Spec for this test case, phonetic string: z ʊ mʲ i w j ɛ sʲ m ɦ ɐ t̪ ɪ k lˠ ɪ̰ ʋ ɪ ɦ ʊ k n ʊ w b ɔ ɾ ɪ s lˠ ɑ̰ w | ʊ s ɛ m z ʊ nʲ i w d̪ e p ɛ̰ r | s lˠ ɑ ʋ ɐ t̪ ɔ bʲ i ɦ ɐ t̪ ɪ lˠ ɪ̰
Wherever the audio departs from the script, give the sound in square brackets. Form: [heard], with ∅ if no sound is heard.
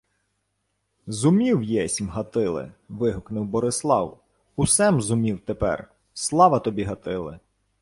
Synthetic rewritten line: z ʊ mʲ i w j ɛ sʲ m ɦ ɐ t̪ ɪ [∅] lˠ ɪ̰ ʋ ɪ ɦ ʊ k n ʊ w b ɔ ɾ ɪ s lˠ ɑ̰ w | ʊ s ɛ m z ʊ [mʲ] i w [t̪] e p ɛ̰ r | s lˠ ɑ ʋ ɐ t̪ ɔ bʲ i ɦ ɐ t̪ ɪ lˠ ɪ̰